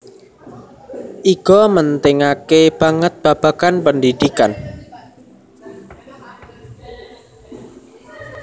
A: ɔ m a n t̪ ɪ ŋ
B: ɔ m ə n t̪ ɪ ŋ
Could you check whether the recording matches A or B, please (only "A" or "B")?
B